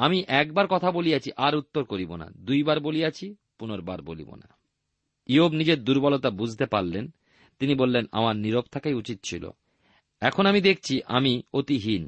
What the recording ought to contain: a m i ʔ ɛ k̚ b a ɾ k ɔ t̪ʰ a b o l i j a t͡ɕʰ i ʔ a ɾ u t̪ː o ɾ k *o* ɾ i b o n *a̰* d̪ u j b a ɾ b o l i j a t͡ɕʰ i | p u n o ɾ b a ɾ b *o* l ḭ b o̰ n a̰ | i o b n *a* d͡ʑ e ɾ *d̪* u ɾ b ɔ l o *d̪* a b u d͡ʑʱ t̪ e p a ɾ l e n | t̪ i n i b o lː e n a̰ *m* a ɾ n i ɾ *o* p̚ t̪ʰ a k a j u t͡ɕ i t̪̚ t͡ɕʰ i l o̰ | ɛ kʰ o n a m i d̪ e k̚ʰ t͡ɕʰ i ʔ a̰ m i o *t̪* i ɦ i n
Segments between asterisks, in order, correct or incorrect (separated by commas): correct, correct, correct, incorrect, correct, incorrect, correct, correct, correct